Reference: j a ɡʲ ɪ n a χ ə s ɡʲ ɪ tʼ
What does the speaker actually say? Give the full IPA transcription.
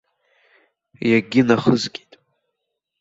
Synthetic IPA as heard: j a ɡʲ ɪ n a χ ə z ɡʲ i tʼ